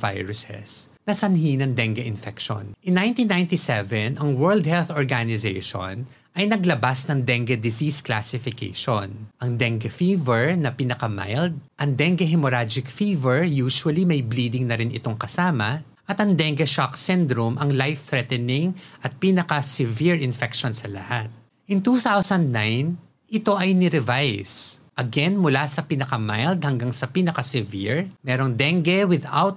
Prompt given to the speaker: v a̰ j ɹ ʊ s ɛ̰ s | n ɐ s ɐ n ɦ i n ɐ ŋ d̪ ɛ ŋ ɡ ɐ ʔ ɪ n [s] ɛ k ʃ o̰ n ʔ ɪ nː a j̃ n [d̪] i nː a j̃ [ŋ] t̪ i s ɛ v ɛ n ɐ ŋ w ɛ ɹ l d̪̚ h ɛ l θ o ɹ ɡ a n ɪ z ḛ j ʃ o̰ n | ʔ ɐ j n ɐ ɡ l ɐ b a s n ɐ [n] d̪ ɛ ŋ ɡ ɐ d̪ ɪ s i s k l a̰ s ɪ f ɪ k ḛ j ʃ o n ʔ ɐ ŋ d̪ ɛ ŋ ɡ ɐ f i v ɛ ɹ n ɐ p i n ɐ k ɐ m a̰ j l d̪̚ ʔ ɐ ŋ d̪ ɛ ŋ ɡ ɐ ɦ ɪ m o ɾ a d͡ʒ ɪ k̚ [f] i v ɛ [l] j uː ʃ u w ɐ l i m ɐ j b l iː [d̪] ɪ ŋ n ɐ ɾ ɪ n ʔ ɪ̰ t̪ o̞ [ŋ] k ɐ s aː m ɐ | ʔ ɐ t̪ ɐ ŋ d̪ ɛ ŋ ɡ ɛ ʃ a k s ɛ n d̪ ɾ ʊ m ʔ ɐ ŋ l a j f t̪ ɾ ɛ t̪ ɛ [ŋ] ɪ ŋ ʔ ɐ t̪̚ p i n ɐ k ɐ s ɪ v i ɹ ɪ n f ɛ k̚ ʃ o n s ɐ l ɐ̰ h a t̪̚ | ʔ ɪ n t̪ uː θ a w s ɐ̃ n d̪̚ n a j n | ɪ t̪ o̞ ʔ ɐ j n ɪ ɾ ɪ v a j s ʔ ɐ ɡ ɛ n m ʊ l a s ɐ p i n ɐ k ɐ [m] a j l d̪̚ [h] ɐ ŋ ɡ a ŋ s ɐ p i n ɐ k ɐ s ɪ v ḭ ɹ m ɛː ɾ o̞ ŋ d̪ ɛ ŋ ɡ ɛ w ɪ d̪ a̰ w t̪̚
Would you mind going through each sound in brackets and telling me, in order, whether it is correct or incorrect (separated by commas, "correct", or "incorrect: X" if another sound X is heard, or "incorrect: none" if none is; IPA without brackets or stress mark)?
incorrect: f, incorrect: t̪, incorrect: n, incorrect: ŋ, correct, incorrect: ɹ, correct, correct, incorrect: n, correct, correct